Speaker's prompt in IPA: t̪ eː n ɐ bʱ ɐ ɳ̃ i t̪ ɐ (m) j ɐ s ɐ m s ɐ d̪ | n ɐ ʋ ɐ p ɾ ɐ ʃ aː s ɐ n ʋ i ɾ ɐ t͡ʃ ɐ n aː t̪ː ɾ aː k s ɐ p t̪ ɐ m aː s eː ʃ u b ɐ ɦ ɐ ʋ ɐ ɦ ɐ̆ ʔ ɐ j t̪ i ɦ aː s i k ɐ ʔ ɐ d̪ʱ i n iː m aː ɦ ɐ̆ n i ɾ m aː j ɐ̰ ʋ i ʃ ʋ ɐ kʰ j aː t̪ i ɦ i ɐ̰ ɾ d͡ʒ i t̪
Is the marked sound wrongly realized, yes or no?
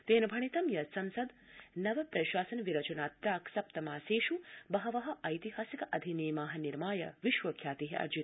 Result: no